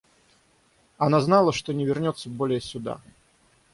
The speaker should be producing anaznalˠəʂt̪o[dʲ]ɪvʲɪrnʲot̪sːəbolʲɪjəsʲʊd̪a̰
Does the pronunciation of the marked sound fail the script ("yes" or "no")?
yes